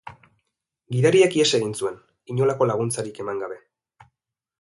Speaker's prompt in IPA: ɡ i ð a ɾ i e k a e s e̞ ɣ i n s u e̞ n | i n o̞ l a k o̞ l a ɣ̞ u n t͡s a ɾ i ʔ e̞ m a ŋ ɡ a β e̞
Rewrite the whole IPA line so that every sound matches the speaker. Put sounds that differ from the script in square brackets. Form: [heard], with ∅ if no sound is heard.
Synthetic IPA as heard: ɡ i ð a ɾ i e k [i] e s e̞ ɣ i n s u e̞ n | i [ɲ] o̞ l a k o̞ l a ɣ̞ u n t͡s a ɾ i [k] e̞ m a ŋ ɡ a β e̞